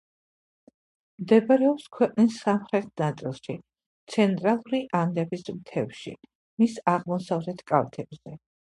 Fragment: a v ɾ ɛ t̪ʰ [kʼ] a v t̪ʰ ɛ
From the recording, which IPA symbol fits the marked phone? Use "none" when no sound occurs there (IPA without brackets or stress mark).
kʼ